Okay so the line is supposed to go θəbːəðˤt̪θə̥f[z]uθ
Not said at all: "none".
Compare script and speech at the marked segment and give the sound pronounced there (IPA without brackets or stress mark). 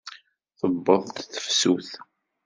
s